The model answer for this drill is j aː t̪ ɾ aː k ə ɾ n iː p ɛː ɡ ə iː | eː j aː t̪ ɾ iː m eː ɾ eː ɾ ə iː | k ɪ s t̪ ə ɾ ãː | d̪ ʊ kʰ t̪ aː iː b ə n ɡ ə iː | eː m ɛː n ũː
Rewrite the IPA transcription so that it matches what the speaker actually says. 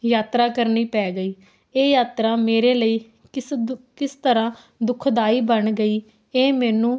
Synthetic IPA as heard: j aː t̪ ɾ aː k ə ɾ n iː p ɛː ɡ ə iː | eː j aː t̪ ɾ aː m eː ɾ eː l ə iː | k ɪ s t̪ ə ɾ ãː | d̪ ʊ kʰ d̪ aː iː b ə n ɡ ə iː | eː m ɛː n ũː